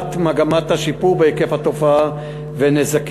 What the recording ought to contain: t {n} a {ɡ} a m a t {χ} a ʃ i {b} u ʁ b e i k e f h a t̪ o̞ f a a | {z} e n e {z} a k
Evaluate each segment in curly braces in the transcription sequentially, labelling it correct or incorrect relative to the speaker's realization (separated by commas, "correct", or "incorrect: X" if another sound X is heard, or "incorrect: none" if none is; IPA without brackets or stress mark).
incorrect: m, correct, incorrect: h, incorrect: p, incorrect: v, correct